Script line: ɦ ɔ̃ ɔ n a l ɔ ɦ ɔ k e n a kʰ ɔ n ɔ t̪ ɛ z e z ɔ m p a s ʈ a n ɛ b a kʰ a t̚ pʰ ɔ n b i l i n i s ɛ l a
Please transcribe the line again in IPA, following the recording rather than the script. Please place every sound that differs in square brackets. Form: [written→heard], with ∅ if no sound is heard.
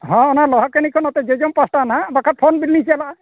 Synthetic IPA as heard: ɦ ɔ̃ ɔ n a l ɔ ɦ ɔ k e n [a→i] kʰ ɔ n ɔ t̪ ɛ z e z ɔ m p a s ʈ a n [ɛ→a] b a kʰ a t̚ pʰ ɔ n b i l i n i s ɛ l a